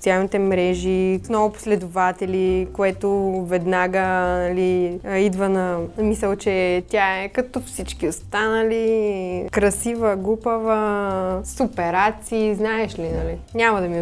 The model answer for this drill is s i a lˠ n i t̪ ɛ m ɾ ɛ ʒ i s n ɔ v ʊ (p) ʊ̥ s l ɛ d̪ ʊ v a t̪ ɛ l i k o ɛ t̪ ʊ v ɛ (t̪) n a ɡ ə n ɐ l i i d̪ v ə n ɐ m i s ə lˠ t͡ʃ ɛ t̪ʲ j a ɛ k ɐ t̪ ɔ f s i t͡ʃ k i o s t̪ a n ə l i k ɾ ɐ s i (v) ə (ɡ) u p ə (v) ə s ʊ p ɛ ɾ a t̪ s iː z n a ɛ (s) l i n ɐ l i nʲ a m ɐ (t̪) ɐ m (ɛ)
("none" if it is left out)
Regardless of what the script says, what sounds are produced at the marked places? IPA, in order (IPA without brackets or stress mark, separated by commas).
p, d̪, v, ɡ, v, ʃ, d̪, i